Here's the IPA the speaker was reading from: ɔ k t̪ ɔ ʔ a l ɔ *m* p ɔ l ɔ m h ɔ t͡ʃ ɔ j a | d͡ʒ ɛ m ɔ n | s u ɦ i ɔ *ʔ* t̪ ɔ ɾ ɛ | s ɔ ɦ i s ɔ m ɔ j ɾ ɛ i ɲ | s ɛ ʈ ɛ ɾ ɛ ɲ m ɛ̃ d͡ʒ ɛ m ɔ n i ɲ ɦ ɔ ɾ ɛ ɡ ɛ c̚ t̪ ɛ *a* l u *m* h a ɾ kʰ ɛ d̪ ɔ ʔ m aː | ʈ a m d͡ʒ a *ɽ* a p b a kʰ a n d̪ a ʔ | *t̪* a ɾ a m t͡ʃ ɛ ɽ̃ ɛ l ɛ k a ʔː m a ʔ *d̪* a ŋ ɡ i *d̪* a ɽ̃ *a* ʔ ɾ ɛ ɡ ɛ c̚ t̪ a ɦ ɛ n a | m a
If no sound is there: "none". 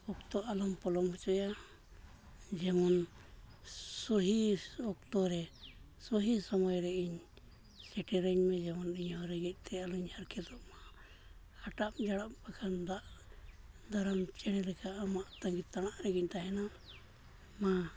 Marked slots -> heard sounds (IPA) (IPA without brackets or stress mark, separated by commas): m, k, a, ɲ, ɽ, d̪, t̪, t̪, a